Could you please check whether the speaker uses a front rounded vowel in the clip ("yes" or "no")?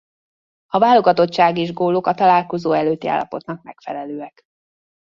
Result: yes